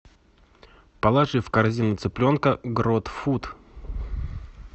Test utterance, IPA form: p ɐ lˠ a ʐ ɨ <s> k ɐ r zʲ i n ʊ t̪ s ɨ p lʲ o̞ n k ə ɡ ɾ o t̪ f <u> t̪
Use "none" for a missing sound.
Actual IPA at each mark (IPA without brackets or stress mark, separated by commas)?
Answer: f, u